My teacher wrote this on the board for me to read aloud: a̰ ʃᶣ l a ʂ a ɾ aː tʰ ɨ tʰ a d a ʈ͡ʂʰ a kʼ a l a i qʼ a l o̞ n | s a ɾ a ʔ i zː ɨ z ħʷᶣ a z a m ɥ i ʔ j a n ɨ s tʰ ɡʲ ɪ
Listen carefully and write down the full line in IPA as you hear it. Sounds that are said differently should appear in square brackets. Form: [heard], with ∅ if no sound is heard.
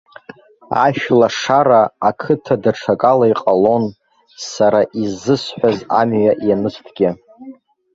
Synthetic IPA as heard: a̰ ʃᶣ l a ʂ a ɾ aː [kʰ] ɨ tʰ a d a ʈ͡ʂʰ a kʼ a l a i qʼ a l o̞ n | s a ɾ a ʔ i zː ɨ [s] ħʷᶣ a z a m ɥ [a] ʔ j a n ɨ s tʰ ɡʲ ɪ

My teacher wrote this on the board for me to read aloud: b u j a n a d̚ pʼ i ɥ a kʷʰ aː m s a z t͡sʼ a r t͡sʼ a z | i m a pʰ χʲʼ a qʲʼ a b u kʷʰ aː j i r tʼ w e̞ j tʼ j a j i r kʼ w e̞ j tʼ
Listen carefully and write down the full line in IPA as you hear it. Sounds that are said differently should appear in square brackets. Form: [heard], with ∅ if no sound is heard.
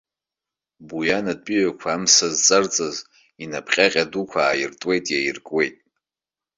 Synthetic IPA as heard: b u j a n a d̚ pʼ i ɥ a kʷʰ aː m s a z t͡sʼ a r t͡sʼ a z | i [n] a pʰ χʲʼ a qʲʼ a [d] u kʷʰ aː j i r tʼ w e̞ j tʼ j a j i r kʼ w e̞ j tʼ

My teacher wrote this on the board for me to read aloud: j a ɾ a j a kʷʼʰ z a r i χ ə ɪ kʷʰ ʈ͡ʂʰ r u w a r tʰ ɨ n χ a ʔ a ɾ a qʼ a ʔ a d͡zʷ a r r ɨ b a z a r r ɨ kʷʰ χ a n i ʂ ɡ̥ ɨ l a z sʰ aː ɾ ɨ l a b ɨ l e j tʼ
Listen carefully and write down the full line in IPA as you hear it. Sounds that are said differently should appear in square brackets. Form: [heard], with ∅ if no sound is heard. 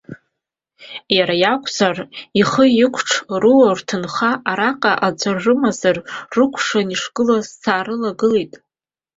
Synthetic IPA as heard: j a ɾ a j a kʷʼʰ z a r i χ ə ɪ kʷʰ ʈ͡ʂʰ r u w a r tʰ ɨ n χ a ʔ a ɾ a qʼ a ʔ a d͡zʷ a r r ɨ [m] a z a r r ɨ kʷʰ [ʂ] a n i ʂ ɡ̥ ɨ l a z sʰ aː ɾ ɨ l a [ɡ] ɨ l e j tʼ

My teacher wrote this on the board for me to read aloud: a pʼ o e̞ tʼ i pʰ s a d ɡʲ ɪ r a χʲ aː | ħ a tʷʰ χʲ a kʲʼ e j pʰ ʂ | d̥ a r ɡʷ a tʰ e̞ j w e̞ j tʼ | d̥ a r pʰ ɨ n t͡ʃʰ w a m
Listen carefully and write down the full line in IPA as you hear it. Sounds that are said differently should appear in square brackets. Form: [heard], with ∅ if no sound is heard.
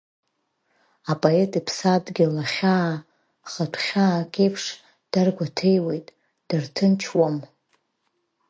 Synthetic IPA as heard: a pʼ o e̞ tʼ i pʰ s a d ɡʲ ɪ [l] a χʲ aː | [χ] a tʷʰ χʲ a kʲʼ e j pʰ ʂ | d̥ a r ɡʷ a tʰ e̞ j w e̞ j tʼ | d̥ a r [tʰ] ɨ n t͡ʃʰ w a m

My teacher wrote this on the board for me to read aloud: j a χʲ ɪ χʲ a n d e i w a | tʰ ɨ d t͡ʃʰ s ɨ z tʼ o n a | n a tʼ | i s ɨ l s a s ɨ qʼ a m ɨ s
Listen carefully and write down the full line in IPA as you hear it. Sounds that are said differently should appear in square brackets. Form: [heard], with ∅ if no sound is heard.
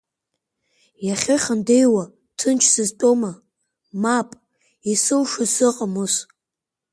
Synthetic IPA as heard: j a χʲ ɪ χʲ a n d e [j] w a | tʰ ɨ [n] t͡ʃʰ s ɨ z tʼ o [m] a | [m] a [pʼ] | i s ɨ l [ʂ] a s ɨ qʼ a m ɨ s

